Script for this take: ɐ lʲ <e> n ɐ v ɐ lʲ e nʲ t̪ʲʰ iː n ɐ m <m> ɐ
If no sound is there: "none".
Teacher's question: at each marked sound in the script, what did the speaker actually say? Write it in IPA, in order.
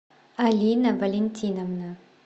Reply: i, n

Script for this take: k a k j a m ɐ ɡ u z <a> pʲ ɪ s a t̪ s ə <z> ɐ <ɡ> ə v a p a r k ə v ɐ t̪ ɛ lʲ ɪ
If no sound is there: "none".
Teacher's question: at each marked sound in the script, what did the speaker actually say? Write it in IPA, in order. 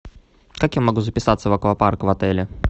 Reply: ə, v, k

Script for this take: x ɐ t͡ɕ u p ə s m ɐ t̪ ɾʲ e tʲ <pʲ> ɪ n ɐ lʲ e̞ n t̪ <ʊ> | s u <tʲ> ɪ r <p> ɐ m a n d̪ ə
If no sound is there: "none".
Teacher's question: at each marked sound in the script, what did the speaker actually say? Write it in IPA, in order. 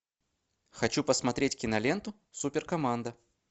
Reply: kʲ, ʊ, pʲ, k

